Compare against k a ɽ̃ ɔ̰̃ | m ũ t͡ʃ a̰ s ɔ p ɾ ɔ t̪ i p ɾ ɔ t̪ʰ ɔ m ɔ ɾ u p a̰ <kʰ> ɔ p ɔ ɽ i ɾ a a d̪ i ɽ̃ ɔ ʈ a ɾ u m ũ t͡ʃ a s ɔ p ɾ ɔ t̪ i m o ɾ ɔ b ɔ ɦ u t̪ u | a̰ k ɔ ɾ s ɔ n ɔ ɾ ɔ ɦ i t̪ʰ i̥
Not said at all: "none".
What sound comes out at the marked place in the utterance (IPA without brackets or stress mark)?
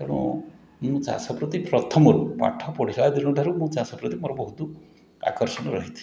ʈʰ